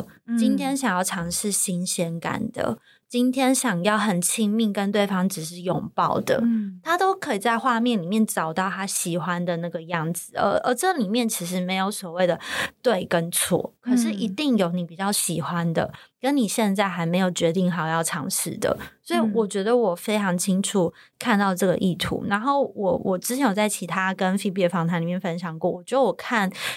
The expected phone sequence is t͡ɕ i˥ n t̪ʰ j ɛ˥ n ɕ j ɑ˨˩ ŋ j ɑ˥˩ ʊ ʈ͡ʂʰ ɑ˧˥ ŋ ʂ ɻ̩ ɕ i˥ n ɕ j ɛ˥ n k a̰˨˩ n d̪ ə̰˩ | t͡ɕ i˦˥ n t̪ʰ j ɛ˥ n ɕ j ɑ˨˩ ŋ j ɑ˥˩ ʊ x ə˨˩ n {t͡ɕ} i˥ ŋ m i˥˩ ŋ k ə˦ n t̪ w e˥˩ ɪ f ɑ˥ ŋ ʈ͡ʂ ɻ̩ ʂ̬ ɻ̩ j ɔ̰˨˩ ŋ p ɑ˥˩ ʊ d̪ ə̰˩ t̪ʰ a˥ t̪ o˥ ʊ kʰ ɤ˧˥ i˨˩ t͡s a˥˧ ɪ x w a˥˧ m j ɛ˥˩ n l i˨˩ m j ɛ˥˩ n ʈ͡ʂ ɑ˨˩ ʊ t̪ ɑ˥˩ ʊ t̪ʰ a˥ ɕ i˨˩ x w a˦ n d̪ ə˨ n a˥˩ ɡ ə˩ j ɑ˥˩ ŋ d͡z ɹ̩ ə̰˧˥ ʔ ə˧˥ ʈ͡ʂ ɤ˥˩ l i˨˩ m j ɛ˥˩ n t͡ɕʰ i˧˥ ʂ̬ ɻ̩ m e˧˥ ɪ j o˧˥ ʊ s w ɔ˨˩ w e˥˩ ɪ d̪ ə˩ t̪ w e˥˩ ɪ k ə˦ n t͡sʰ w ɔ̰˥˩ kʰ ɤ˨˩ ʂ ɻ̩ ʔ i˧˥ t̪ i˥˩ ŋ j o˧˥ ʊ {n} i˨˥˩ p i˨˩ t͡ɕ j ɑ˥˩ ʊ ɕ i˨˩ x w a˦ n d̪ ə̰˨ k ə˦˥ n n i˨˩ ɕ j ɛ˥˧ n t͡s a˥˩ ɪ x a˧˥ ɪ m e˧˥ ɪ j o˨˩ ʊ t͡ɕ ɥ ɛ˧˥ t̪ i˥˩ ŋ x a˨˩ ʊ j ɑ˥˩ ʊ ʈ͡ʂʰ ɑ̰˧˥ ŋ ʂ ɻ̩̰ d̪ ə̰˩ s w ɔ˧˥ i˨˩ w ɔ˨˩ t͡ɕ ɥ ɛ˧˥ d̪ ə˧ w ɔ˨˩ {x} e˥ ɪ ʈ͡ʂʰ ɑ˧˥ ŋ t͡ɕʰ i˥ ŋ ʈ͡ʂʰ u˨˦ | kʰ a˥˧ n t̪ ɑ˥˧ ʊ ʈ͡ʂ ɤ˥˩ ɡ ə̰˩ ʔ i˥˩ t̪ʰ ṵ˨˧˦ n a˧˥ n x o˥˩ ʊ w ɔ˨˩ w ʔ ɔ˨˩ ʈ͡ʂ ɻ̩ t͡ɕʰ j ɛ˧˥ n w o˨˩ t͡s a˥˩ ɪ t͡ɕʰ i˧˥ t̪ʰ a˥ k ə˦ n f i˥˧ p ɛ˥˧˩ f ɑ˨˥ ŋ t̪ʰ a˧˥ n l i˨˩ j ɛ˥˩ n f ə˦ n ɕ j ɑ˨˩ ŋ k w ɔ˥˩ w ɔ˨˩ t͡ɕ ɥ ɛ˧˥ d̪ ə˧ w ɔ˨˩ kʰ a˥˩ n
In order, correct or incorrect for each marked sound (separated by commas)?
incorrect, correct, incorrect